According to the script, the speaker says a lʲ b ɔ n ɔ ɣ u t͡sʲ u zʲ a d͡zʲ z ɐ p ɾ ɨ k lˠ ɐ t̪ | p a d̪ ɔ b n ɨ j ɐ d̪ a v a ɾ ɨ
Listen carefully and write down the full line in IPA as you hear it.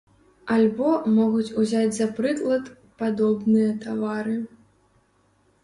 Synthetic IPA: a lʲ b ɔ m ɔ ɣ u t͡sʲ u zʲ a d͡zʲ z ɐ p ɾ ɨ k lˠ ɐ t̪ | p a d̪ ɔ b n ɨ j ɐ t̪ a v a ɾ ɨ